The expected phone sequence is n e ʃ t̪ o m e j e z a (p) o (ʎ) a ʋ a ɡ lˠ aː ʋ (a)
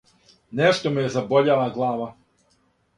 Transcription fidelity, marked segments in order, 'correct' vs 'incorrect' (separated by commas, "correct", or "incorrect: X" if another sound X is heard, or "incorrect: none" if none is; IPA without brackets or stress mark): incorrect: b, correct, correct